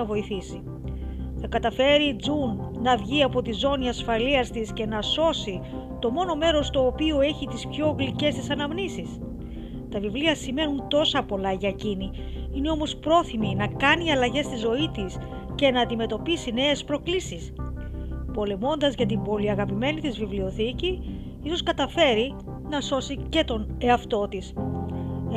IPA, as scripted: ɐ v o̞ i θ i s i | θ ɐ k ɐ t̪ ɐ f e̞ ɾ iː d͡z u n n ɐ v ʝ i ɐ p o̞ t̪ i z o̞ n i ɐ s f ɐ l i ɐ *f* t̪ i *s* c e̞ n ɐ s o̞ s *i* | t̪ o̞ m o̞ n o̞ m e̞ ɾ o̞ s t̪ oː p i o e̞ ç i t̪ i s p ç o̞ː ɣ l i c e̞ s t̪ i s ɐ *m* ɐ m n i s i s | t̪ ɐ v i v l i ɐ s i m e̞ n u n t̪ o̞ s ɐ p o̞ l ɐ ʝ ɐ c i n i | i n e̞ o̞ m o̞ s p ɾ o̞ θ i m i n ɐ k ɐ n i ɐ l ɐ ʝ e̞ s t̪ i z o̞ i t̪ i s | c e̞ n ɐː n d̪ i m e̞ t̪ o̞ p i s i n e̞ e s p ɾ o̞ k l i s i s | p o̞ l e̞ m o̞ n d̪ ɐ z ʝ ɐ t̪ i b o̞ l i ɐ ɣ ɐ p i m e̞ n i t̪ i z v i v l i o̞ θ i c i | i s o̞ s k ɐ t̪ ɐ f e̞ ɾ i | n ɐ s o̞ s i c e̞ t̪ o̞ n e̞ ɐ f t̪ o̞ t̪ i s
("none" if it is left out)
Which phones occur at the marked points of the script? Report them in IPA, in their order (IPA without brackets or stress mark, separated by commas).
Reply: s, s, i, n